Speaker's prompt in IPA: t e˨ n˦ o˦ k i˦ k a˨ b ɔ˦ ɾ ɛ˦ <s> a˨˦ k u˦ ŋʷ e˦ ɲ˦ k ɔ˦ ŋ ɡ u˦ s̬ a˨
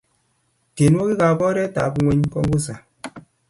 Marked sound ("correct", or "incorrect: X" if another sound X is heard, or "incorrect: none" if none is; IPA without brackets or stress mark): incorrect: t